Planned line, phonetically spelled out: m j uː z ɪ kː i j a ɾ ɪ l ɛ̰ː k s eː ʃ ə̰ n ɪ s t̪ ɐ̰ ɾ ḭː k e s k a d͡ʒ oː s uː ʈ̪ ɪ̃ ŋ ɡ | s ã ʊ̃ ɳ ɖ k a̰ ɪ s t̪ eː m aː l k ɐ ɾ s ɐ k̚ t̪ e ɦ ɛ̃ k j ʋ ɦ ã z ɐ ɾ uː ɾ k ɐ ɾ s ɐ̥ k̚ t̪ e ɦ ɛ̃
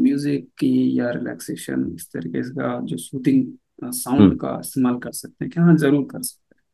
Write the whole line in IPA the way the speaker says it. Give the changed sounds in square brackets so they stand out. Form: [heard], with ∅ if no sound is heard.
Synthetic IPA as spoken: m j uː z ɪ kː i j a ɾ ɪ l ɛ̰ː k s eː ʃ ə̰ n ɪ s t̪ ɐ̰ ɾ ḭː k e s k a d͡ʒ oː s uː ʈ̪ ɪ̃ ŋ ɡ | s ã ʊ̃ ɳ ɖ k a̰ ɪ s t̪ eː m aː l k ɐ ɾ s ɐ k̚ t̪ e ɦ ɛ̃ k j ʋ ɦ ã z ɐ ɾ uː ɾ k ɐ ɾ s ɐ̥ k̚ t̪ e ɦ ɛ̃